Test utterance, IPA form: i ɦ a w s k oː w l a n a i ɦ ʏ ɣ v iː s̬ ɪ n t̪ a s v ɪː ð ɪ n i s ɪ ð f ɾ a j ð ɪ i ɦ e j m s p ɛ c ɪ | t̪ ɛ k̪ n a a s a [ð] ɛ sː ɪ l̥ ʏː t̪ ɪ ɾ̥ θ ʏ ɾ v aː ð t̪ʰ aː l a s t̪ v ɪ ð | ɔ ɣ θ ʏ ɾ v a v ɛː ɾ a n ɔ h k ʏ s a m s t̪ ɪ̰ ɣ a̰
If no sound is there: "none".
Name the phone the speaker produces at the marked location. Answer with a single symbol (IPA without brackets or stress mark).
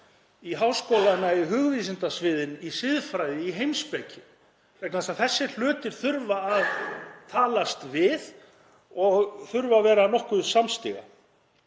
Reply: θ